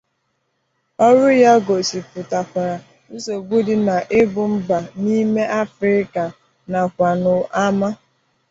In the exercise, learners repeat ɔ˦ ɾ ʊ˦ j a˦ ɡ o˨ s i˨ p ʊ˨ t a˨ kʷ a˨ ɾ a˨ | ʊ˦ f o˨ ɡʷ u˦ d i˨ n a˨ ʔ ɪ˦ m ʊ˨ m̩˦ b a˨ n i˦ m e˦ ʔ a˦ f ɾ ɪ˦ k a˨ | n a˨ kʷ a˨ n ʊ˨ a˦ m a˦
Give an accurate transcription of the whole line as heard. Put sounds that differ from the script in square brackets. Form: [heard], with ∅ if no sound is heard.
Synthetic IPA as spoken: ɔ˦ ɾ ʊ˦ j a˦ ɡ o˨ s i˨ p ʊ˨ t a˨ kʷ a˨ ɾ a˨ | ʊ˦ [s] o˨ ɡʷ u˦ d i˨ n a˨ ʔ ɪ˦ [b] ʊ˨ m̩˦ b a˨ n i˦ m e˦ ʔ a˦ f ɾ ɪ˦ k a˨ | n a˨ kʷ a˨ n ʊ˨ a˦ m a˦